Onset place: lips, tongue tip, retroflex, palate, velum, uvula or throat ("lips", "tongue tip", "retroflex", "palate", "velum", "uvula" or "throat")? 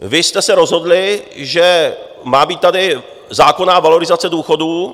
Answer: lips